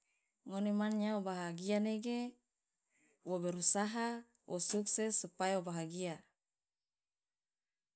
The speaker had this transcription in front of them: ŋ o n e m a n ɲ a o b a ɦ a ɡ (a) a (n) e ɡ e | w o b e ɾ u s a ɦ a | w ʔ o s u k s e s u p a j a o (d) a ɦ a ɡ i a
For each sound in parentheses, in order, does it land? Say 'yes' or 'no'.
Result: no, yes, no

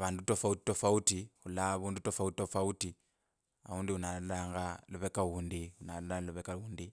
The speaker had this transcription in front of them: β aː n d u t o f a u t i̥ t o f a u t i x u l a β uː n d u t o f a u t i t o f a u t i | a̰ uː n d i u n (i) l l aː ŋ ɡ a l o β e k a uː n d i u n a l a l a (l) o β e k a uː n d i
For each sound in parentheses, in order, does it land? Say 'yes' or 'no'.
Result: no, yes

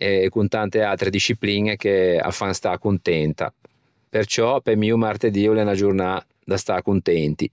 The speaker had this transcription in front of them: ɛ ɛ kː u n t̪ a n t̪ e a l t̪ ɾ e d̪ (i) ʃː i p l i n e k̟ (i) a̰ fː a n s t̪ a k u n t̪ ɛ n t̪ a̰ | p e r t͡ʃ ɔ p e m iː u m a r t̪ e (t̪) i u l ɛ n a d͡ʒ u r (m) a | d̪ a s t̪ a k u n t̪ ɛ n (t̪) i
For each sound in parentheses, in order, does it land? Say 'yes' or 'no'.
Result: yes, no, no, no, yes

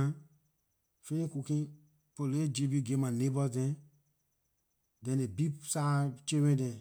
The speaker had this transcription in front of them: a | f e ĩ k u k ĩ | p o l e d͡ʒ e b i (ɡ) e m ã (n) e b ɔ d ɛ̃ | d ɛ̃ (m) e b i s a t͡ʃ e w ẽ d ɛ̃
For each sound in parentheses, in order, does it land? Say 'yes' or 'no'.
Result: yes, yes, no

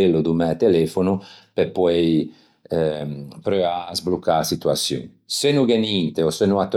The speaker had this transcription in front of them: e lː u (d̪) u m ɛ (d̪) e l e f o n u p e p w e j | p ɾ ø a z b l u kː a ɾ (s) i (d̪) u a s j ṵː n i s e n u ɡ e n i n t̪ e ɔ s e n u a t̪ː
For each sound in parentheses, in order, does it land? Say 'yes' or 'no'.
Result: yes, no, yes, no

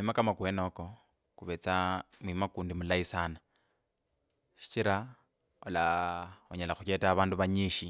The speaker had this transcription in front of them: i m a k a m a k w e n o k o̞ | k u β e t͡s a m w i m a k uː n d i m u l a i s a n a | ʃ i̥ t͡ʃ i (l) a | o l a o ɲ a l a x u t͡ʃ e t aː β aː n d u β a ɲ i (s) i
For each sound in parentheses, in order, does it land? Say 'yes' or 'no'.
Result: no, no

